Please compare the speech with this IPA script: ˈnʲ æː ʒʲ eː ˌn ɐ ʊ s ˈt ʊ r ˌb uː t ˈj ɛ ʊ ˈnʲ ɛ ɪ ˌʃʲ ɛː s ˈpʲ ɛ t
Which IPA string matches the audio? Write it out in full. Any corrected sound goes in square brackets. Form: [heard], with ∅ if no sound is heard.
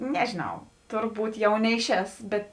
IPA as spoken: ˈnʲ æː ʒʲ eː ˌn ɐ ʊ [∅] ˈt ʊ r ˌb uː t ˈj ɛ ʊ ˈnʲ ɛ ɪ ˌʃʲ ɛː s [ˈbʲ] ɛ t

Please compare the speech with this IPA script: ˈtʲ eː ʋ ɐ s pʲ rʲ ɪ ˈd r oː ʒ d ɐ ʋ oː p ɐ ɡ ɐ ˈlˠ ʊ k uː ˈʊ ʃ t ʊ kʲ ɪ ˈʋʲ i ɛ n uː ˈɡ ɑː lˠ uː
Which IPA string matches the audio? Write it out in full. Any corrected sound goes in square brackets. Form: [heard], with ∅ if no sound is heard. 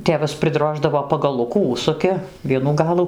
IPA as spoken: ˈtʲ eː ʋ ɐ s pʲ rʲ ɪ ˈd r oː ʒ d ɐ ʋ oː p ɐ ɡ ɐ ˈlˠ ʊ k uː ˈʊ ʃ [s] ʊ kʲ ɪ ˈʋʲ i ɛ n uː ˈɡ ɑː lˠ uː

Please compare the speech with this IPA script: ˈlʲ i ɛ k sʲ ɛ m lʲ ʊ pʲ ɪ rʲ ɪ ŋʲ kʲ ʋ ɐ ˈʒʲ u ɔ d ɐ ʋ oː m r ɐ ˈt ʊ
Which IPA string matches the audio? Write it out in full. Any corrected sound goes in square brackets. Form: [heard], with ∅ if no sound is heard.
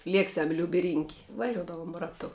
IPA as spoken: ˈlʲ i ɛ k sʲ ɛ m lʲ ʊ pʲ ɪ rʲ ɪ ŋʲ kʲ ʋ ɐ ˈʒʲ u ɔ d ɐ ʋ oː m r ɐ ˈt ʊ

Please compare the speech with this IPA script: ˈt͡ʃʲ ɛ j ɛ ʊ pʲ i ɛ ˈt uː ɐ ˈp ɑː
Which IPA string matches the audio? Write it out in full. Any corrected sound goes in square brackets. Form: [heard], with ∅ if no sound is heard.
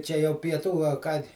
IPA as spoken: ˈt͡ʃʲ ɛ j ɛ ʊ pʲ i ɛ ˈt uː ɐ [ˈk] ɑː

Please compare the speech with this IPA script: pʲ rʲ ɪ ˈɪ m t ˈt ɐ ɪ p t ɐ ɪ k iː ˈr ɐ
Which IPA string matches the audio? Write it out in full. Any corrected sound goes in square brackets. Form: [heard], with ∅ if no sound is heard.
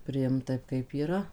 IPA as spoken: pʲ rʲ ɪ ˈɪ m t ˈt ɐ ɪ p [k] ɐ ɪ [p] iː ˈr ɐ

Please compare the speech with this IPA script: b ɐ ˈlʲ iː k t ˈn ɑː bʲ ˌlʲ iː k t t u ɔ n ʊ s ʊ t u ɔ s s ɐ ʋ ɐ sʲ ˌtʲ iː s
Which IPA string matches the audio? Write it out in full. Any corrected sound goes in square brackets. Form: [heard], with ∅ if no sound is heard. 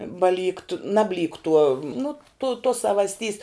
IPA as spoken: b ɐ ˈlʲ iː k t ˈn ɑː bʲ ˌlʲ iː k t t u ɔ n ʊ [t] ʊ t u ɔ s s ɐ ʋ ɐ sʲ ˌtʲ iː s

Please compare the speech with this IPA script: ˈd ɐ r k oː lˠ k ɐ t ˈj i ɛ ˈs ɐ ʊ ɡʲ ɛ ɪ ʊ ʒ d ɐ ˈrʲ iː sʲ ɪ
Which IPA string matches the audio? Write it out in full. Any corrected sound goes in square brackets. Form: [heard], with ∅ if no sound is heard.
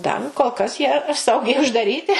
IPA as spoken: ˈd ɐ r k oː lˠ k ɐ [s] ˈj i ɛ ˈs ɐ ʊ ɡʲ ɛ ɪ ʊ ʒ d ɐ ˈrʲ iː [tʲ] ɪ

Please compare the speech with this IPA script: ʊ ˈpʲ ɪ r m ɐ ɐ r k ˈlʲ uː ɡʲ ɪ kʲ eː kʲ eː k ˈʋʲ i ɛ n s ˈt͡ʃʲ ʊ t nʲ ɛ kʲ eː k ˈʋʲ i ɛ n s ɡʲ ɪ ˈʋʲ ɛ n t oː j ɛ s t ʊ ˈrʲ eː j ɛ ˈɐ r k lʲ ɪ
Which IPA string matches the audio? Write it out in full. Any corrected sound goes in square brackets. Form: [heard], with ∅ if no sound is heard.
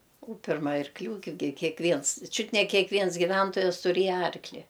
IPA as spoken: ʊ ˈpʲ ɪ r m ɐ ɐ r k ˈlʲ uː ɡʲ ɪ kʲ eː kʲ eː k ˈʋʲ i ɛ n s ˈt͡ʃʲ ʊ t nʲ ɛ kʲ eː k ˈʋʲ i ɛ n s ɡʲ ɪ ˈʋʲ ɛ n t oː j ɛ s t ʊ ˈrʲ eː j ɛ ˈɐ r k lʲ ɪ

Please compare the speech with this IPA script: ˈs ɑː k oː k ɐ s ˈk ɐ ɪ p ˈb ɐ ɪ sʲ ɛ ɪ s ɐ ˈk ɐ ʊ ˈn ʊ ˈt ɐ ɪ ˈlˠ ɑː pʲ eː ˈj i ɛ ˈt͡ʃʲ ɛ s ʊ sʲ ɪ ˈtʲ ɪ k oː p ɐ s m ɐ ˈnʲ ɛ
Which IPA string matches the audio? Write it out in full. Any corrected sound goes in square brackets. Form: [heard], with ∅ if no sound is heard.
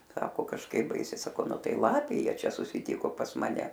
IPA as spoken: ˈs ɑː k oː k ɐ [ʃ] ˈk ɐ ɪ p ˈb ɐ ɪ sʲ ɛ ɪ s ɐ ˈk ɐ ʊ ˈn ʊ ˈt ɐ ɪ ˈlˠ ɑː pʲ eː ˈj i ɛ ˈt͡ʃʲ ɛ s ʊ sʲ ɪ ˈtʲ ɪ k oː p ɐ s m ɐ ˈnʲ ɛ

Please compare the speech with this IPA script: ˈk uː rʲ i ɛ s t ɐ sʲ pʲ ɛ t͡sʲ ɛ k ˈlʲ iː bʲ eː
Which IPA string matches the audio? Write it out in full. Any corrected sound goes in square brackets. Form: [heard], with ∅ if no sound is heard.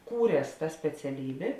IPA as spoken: ˈk uː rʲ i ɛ s t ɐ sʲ pʲ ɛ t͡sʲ ɛ [∅] ˈlʲ iː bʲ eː

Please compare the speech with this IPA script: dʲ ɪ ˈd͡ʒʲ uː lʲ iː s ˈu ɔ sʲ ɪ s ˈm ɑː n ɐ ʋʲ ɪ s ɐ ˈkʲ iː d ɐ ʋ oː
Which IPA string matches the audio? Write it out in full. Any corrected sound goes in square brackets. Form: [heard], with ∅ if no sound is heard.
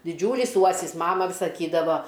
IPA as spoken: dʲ ɪ ˈd͡ʒʲ uː lʲ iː s ˈu ɔ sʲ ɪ s ˈm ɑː [m] ɐ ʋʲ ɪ s ɐ ˈkʲ iː d ɐ ʋ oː

